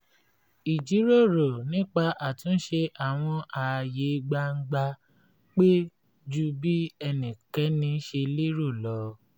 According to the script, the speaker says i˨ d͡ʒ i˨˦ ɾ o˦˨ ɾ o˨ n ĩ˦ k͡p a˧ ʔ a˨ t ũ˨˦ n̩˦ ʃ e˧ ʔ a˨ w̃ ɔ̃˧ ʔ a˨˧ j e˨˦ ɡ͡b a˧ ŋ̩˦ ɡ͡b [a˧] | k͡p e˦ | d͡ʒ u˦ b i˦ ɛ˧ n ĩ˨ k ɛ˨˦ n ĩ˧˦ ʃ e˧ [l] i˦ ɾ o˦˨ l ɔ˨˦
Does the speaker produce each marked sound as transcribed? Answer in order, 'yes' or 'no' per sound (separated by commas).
yes, yes